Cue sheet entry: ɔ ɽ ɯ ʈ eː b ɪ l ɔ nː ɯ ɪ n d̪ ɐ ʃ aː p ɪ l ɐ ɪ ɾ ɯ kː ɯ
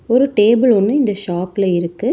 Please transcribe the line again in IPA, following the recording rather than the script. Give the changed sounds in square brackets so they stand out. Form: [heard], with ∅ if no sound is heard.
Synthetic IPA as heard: ɔ [ɾ] ɯ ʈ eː b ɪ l ɔ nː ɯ ɪ n d̪ ɐ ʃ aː p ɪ l ɐ ɪ ɾ ɯ kː ɯ